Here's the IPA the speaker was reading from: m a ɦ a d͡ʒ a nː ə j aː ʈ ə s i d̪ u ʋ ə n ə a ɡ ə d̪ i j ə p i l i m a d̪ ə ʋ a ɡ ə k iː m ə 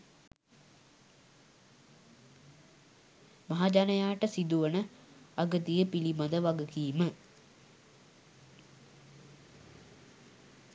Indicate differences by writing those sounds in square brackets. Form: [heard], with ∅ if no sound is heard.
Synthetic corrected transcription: m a ɦ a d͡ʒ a [n] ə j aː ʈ ə s i d̪ u ʋ ə n ə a ɡ ə [t̪] i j ə p i l i m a d̪ ə ʋ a ɡ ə k iː m ə